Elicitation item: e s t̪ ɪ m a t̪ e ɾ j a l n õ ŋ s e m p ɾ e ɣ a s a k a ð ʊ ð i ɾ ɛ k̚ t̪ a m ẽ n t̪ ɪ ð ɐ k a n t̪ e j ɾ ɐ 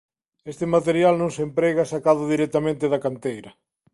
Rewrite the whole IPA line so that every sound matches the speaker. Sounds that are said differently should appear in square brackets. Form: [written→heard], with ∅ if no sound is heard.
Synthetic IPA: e s t̪ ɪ m a t̪ e ɾ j a l n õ ŋ s e m p ɾ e ɣ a s a k a ð ʊ ð i ɾ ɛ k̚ t̪ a m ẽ n t̪ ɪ ð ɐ k a n t̪ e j ɾ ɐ